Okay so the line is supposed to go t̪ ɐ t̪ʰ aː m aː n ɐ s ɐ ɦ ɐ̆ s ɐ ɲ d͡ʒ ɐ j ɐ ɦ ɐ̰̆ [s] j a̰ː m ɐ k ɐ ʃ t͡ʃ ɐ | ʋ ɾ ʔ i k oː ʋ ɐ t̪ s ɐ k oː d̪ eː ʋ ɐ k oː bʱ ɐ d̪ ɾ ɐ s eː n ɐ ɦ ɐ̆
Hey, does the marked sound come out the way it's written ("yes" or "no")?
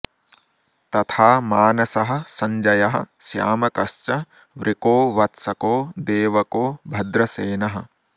yes